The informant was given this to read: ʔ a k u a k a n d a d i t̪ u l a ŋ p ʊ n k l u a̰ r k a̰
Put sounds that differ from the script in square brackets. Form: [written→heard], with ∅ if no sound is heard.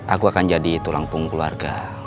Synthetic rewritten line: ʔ a k u a k a n [d→d͡ʒ] a d i t̪ u l a ŋ p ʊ [n→ŋ] k l u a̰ r [k→ɡ] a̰